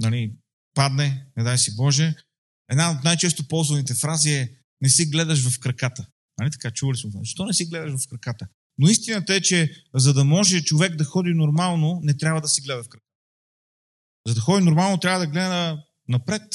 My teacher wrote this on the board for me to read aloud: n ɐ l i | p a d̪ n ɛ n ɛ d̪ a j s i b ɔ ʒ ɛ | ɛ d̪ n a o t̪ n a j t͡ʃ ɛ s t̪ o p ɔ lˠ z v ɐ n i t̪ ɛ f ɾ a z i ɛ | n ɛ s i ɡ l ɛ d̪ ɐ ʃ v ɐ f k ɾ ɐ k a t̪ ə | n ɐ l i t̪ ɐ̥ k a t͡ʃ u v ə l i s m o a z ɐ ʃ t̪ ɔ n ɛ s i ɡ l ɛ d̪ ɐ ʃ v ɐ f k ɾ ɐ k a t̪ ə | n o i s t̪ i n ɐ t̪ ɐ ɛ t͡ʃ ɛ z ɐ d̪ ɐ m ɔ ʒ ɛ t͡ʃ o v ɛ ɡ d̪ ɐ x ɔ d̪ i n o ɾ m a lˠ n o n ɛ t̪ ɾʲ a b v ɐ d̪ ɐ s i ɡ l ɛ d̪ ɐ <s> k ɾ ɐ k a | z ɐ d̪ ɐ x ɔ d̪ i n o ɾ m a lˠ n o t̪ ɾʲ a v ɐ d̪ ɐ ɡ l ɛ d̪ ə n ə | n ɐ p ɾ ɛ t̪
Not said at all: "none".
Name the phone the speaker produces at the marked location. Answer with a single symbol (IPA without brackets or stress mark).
f